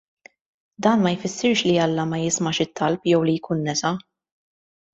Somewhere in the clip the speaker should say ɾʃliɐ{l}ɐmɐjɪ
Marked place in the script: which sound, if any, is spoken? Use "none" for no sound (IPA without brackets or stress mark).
lː